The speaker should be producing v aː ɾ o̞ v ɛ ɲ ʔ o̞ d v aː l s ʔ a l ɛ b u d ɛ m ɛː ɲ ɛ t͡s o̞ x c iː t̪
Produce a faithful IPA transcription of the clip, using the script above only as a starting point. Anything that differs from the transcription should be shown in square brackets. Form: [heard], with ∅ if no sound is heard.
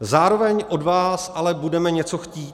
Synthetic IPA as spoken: [z] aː ɾ o̞ v ɛ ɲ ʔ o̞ d v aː [∅] s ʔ a l ɛ b u d ɛ m [ɛ] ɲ ɛ t͡s o̞ x c iː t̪